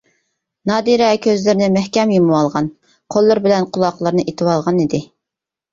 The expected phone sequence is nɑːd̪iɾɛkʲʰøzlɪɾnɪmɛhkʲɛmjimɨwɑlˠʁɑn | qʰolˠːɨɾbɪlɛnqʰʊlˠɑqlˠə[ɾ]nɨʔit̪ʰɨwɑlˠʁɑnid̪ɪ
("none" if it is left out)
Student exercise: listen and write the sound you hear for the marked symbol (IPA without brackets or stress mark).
ɾ